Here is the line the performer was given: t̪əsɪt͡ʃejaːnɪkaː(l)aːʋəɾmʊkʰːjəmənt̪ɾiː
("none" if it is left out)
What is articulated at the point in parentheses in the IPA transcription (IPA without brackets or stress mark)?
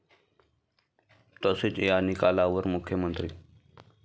l